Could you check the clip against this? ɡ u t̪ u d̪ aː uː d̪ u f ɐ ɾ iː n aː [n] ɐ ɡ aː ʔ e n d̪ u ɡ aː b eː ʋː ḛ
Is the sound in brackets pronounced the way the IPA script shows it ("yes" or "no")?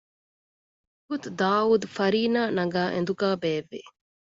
yes